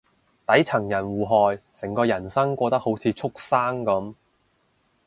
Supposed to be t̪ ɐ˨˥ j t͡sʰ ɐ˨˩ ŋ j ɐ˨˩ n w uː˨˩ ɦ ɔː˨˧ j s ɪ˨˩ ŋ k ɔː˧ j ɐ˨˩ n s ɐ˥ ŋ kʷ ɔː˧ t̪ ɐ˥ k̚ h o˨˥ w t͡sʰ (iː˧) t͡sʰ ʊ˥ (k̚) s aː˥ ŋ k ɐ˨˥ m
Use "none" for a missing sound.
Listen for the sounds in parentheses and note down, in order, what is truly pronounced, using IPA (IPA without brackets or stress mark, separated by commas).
iː˧, k̚